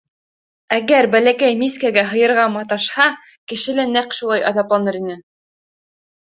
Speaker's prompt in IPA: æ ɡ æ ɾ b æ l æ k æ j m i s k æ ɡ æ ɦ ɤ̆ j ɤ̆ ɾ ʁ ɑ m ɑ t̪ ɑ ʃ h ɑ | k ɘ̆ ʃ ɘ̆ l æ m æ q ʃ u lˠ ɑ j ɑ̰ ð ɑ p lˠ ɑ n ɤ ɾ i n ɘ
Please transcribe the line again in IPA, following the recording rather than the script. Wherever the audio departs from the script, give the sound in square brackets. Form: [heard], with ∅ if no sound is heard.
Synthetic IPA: æ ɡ æ ɾ b æ l æ k æ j m i s k æ ɡ æ ɦ ɤ̆ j ɤ̆ ɾ ʁ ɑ m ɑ t̪ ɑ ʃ h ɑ | k ɘ̆ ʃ ɘ̆ l æ [n] æ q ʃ u lˠ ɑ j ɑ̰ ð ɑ p lˠ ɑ n ɤ ɾ i n ɘ